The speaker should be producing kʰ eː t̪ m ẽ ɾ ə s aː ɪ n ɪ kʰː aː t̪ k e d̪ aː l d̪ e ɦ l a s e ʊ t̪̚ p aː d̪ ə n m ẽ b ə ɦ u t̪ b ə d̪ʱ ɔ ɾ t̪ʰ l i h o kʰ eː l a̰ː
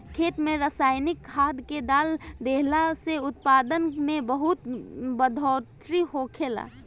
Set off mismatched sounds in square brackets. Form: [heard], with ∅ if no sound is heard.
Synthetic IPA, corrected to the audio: kʰ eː t̪ m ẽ ɾ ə s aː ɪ n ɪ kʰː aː [d̪] k e d̪ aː l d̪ e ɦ l a s e ʊ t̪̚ p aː d̪ ə n m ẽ b ə ɦ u t̪ b ə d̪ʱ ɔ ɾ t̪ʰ [ɾ] i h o kʰ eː l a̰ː